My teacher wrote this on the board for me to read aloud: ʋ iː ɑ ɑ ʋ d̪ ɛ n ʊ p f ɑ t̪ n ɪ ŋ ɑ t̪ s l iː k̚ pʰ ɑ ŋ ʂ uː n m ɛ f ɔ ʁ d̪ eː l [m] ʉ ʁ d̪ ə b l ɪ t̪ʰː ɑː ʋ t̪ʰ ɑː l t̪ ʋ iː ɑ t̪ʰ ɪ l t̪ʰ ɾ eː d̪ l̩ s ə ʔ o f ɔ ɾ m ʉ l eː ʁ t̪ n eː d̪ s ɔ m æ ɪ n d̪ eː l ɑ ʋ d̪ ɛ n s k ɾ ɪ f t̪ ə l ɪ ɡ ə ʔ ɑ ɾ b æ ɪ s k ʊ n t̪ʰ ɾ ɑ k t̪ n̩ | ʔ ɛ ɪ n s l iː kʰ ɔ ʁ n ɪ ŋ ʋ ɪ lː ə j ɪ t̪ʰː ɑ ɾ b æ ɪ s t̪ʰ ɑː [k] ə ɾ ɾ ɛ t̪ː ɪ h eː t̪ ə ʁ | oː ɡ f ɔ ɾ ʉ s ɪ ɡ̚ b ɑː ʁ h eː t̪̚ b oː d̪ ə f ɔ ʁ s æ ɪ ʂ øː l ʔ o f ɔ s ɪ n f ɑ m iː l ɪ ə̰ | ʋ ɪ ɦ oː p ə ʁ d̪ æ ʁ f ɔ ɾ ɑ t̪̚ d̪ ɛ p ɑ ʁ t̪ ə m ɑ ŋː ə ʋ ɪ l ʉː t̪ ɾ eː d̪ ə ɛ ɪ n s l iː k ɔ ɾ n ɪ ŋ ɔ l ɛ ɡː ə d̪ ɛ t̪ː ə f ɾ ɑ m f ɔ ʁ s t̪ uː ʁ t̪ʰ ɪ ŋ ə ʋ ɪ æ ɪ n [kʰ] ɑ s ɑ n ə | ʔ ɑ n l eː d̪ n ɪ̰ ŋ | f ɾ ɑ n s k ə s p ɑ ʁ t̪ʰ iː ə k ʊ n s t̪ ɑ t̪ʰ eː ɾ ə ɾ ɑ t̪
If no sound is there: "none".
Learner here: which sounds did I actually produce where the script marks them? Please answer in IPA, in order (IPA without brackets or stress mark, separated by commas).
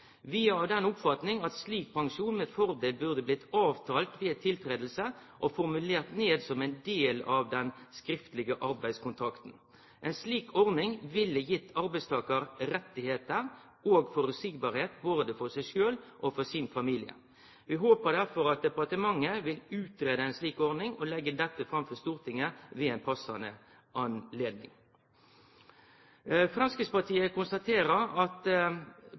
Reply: b, k, pʰ